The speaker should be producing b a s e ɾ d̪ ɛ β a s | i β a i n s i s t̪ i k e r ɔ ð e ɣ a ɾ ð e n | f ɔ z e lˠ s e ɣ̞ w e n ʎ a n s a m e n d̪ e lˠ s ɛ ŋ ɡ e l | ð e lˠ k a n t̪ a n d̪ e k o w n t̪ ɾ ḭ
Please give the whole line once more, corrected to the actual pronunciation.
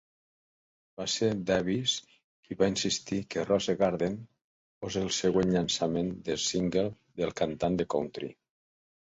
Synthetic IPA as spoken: b a s e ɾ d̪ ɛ β i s | i β a i n s i s t̪ i k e r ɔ z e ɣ a ɾ ð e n | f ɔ z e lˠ s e ɣ̞ w e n ʎ a n s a m e n d̪ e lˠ s i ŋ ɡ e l | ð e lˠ k a n t̪ a n d̪ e k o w n t̪ ɾ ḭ

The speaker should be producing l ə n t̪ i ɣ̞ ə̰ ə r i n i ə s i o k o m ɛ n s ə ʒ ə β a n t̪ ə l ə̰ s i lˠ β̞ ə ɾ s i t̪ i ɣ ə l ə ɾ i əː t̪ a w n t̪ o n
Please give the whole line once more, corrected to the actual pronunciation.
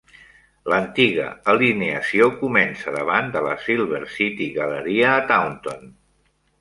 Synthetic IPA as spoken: l ə n t̪ i ɣ̞ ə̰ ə l i n e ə s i o k u m ɛ n s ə ð ə β a n d̪ ə l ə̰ s i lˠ β̞ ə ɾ s i t̪ i ɣ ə l ə ɾ i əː t̪ a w n t̪ o n

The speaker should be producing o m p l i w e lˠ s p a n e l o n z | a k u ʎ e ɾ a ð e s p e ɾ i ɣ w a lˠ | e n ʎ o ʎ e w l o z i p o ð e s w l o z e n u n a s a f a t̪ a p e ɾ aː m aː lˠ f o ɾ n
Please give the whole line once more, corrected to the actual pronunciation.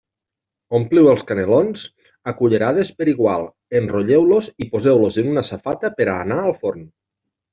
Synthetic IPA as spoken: o m p l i w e lˠ s k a n e l o n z | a k u ʎ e ɾ a ð e s p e ɾ i ɣ w a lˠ | e n r o ʎ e w l o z i p o z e w l o z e n u n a s a f a t̪ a p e ɾ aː n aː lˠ f o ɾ n

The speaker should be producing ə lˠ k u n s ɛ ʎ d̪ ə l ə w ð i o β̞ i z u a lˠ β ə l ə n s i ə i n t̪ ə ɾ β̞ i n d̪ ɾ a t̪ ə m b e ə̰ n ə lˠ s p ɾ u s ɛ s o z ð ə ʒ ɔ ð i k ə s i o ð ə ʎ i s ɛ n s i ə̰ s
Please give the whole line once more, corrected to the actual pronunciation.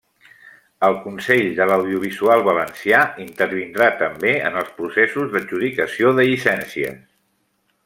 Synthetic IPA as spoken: ə lˠ k u n s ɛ ʎ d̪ ə l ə w ð i u β̞ i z u a lˠ β ə l ə n s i a i n t̪ ə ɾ β̞ i n d̪ ɾ a t̪ ə m b e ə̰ n ə lˠ s p ɾ u s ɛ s u z ð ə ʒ u ð i k ə s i o ð ə ʎ i s ɛ n s i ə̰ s

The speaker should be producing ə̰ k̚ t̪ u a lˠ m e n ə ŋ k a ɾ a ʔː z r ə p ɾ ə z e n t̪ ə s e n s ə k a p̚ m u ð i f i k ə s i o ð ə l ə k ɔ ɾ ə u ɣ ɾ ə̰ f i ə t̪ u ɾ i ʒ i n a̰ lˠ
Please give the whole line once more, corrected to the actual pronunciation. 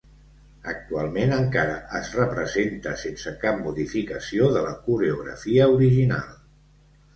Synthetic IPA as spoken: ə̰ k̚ t̪ u a lˠ m e n ə ŋ k a ɾ ə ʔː z r ə p ɾ ə z e n t̪ ə s e n s ə k a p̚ m u ð i f i k ə s i o ð ə l ə k u ɾ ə u ɣ ɾ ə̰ f i ə u ɾ i ʒ i n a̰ lˠ

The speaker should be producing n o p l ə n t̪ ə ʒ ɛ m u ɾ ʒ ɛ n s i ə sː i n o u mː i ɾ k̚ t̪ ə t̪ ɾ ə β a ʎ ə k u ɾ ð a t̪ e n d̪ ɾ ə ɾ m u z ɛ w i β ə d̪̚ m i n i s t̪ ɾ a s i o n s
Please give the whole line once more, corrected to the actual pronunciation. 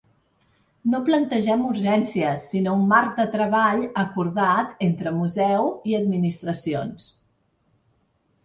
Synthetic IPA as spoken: n o p l ə n t̪ ə ʒ ɛ m u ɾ ʒ ɛ n s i ə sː i n o u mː a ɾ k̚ d̪ ə t̪ ɾ ə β a ʎ ə k u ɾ ð a t̪ e n t̪ ɾ ə m u z ɛ w i ə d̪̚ m i n i s t̪ ɾ ə s i o n s

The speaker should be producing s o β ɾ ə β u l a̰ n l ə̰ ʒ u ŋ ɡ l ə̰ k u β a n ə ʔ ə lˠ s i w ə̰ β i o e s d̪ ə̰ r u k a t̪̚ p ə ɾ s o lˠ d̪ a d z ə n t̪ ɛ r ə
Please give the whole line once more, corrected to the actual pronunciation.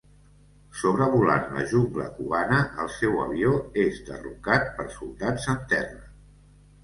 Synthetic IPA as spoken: s o β ɾ ə β u l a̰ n l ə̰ ʒ u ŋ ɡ l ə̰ k u β a n ə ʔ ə lˠ s ɛ w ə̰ β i o e z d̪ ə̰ r u k a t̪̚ p ə ɾ s u lˠ d̪ a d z ə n t̪ ɛ r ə

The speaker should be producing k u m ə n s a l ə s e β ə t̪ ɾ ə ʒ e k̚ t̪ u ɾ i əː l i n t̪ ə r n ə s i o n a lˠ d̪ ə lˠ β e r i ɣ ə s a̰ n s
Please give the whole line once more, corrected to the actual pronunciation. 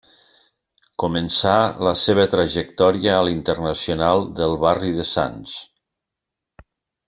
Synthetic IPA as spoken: k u m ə n s a l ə s e β ə t̪ ɾ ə ʒ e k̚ t̪ ɔ ɾ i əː l i n t̪ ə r n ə s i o n a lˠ d̪ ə lˠ β a r i ð ə s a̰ n s

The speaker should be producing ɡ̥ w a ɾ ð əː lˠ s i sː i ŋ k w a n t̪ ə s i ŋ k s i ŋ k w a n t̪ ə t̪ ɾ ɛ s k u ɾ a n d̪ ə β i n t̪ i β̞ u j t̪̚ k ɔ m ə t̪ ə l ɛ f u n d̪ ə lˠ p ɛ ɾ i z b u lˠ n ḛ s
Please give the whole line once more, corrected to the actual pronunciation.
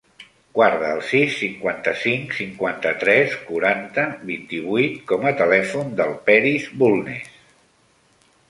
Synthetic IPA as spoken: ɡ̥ w a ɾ ð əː lˠ s i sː i ŋ k w a n t̪ ə s i ŋ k s i ŋ k w a n t̪ ə t̪ ɾ ɛ s k u ɾ a n t̪ ə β i n t̪ i β̞ u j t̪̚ k ɔ m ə t̪ ə l ɛ f u n d̪ ə lˠ p ɛ ɾ i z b u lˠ n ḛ s

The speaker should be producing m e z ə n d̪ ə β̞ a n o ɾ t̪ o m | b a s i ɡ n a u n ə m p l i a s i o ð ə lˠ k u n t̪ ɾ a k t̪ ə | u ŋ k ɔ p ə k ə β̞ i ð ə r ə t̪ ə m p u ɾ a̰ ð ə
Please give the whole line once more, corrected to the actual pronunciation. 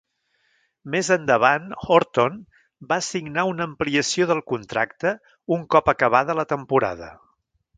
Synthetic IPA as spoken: m e z ə n d̪ ə β̞ a n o ɾ t̪ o n | b a s i ɡ n a u n ə m p l i ə s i o ð ə lˠ k u n t̪ ɾ a k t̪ ə | u ŋ k ɔ p ə k ə β̞ a ð ə l ə t̪ ə m p u ɾ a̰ ð ə

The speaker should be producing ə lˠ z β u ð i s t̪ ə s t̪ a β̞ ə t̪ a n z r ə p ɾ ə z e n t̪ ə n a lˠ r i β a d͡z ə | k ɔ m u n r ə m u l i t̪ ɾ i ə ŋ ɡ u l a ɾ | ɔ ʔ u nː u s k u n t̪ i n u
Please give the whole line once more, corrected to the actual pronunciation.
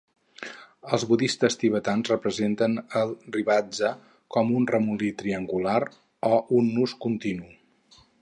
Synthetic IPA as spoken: ə lˠ z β u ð i s t̪ ə s t̪ i β̞ ə t̪ a n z r ə p ɾ ə z e n t̪ ə n ə lˠ r i β a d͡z ə | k ɔ m u n r ə m u l i t̪ ɾ i ə ŋ ɡ u l a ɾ | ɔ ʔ u nː u s k u n t̪ i n u

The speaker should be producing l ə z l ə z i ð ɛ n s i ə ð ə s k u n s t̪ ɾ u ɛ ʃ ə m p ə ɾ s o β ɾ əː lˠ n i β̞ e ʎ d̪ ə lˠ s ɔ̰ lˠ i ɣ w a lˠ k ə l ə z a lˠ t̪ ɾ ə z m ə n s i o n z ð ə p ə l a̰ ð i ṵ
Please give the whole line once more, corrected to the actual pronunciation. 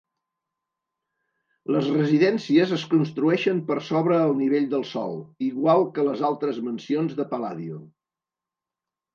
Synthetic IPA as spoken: l ə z r ə z i ð ɛ n s i ə z ə s k u n s t̪ ɾ u ɛ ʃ ə m p ə ɾ s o β ɾ əː lˠ n i β̞ e ʎ d̪ ə lˠ s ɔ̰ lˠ i ɣ w a lˠ k ə l ə z a lˠ t̪ ɾ ə z m ə n s i o n z ð ə p ə l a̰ ð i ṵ

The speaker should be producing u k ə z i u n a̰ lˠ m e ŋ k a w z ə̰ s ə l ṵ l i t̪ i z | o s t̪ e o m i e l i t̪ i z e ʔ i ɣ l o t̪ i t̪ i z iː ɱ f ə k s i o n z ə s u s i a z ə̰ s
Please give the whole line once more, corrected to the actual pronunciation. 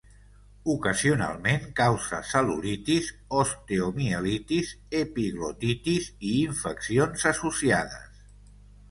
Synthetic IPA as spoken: u k ə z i u n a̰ lˠ m e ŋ k a w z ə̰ s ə l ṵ l i t̪ i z | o s t̪ e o m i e l i t̪ i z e p i ɣ l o t̪ i t̪ i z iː ɱ f ə k s i o n z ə s u s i a ð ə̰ s

